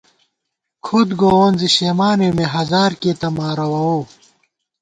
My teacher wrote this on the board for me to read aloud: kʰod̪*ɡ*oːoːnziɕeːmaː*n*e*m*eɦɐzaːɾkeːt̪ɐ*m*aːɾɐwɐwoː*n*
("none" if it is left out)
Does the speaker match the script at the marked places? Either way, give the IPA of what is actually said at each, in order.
ɡ, n, m, m, none

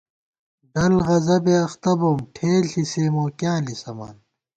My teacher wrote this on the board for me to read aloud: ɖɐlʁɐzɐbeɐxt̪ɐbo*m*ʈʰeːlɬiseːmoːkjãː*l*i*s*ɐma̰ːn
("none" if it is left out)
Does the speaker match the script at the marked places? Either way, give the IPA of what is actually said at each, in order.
m, l, s

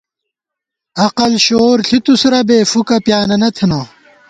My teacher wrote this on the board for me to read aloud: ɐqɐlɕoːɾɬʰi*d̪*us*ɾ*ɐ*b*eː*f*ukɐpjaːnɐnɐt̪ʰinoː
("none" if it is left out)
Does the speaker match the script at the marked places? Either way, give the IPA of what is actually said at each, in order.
t̪, ɾ, b, f

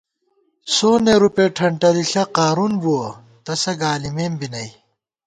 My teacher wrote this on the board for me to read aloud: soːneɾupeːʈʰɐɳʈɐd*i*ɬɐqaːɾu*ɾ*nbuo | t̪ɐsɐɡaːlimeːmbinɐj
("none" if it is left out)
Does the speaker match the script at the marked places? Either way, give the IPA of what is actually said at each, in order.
i, none

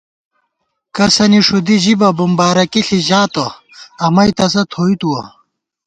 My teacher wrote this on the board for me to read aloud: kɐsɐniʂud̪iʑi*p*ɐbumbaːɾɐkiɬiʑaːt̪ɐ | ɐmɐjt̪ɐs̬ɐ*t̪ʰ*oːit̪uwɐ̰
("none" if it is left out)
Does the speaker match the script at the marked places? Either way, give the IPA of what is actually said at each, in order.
b, t̪ʰ

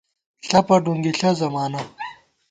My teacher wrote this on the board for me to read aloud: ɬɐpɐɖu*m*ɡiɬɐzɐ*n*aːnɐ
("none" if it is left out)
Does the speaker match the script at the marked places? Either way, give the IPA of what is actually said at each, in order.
ŋ, m

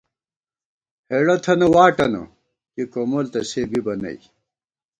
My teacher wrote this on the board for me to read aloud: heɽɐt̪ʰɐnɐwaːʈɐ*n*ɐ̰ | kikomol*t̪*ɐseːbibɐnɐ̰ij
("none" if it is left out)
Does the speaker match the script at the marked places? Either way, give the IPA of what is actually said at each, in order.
n, t̪

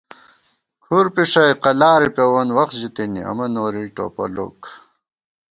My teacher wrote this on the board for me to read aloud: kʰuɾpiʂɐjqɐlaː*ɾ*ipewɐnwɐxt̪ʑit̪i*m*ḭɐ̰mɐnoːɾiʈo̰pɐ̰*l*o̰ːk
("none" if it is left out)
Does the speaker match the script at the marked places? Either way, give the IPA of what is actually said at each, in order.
ɾ, n, l

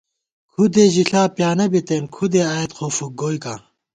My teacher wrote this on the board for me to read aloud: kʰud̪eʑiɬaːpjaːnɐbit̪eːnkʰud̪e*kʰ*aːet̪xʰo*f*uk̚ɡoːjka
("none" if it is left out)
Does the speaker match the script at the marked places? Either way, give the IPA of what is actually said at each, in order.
none, f

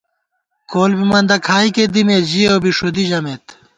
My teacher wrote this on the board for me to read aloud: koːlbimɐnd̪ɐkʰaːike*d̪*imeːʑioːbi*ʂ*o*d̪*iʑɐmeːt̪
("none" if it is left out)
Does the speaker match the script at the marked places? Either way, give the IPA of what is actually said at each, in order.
d̪, ʂ, d̪

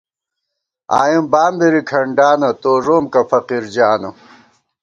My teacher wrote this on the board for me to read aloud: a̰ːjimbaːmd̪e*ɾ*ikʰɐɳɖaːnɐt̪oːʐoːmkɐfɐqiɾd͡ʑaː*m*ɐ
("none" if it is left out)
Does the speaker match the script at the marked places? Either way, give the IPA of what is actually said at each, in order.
ɾ, n

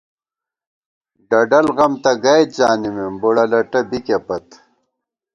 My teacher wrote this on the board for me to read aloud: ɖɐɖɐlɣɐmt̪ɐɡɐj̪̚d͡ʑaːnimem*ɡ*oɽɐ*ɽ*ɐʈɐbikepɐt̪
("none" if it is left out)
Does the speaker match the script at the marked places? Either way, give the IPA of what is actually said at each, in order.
b, l

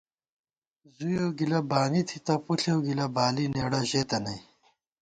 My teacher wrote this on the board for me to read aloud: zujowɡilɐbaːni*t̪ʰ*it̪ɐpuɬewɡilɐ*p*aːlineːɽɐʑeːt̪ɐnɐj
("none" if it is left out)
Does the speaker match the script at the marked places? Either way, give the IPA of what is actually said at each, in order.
t̪ʰ, b

